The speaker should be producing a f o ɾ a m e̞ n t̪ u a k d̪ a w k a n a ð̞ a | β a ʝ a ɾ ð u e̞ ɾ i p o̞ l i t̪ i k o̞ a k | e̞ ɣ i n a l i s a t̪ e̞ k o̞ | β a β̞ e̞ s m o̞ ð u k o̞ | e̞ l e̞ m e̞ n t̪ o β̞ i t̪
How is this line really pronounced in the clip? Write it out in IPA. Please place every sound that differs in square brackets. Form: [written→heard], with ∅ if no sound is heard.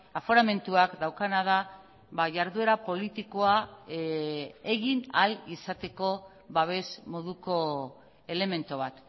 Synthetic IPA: a f o ɾ a m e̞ n t̪ u a k d̪ a w k a n a ð̞ a | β a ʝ a ɾ ð u e̞ ɾ [i→a] p o̞ l i t̪ i k o̞ a [k→∅] | e̞ ɣ i n a l i s a t̪ e̞ k o̞ | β a β̞ e̞ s m o̞ ð u k o̞ | e̞ l e̞ m e̞ n t̪ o β̞ [i→a] t̪